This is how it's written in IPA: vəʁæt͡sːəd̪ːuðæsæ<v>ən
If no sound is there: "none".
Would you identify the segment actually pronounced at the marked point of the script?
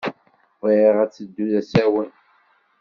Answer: w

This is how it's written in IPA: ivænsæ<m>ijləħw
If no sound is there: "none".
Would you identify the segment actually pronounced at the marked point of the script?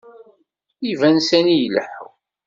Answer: n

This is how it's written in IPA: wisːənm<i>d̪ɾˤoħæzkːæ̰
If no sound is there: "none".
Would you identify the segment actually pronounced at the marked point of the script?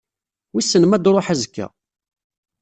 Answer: æ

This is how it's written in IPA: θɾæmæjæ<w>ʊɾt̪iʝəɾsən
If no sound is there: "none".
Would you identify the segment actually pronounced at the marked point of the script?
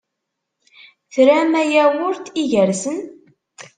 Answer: w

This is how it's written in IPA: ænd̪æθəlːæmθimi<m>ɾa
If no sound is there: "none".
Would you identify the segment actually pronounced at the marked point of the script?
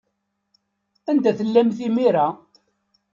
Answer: none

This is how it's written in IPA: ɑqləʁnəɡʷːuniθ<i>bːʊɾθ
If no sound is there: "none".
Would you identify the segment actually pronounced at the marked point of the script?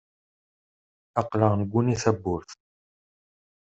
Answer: æ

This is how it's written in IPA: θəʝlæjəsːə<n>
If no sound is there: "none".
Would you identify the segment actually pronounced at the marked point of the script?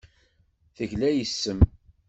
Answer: m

